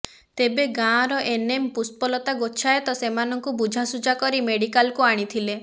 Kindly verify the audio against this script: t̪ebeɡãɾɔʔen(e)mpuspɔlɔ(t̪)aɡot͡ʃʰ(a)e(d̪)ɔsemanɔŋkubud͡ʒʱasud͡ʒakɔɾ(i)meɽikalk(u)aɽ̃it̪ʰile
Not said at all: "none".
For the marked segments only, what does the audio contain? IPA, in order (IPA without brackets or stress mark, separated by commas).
e, t̪, a, t̪, i, u